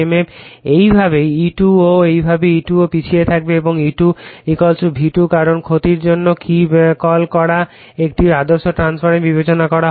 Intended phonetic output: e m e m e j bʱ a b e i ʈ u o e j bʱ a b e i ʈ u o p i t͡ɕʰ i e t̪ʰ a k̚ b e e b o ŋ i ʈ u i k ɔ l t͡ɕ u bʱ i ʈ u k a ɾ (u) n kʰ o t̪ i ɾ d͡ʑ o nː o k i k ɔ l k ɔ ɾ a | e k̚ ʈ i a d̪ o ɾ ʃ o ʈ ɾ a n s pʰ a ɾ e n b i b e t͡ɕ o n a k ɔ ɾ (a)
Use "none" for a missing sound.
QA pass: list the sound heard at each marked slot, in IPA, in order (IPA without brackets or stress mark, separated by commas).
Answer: o, a